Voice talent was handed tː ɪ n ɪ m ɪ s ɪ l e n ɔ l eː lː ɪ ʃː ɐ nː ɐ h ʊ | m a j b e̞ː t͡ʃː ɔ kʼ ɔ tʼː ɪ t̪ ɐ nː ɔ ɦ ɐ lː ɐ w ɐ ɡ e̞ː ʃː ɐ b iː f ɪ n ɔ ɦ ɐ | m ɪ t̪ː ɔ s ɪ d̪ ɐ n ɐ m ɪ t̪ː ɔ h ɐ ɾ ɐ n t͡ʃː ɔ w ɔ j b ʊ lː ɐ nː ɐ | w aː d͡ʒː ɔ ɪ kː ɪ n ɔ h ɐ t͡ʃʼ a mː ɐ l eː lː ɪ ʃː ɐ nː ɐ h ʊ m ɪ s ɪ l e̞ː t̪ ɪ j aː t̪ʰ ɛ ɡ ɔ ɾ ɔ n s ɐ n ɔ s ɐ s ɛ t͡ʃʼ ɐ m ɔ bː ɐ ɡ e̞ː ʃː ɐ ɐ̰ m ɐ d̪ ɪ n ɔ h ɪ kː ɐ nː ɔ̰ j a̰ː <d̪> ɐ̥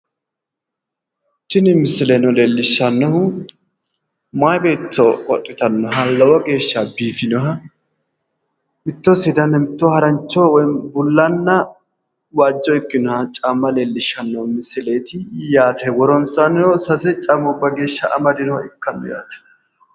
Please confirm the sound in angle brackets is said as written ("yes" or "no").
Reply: no